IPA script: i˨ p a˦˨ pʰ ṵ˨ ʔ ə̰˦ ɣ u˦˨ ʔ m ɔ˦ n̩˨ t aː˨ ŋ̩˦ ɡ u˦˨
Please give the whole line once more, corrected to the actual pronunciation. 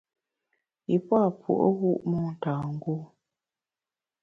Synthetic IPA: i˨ p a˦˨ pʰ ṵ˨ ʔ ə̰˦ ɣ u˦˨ ʔ m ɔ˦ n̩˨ t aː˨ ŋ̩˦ ɡ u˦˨